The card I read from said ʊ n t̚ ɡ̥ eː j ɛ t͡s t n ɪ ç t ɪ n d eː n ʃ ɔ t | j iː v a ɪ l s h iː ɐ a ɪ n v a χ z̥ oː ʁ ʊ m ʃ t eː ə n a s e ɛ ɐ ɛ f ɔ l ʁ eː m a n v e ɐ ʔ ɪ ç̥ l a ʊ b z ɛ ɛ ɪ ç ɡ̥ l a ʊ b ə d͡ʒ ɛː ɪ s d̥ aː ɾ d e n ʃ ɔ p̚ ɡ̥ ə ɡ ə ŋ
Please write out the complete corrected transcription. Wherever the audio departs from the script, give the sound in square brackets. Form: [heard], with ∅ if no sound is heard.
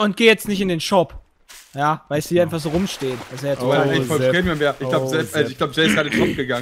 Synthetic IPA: ʊ n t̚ ɡ̥ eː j ɛ t͡s t n ɪ ç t ɪ n d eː n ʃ ɔ [p] | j [aː] v a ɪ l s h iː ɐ a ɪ n [f] a χ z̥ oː ʁ ʊ m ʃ t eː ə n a s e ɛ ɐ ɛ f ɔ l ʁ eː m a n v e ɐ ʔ ɪ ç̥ l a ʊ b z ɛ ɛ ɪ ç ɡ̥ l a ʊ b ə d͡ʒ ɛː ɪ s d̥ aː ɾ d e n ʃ ɔ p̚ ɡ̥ ə ɡ [a] ŋ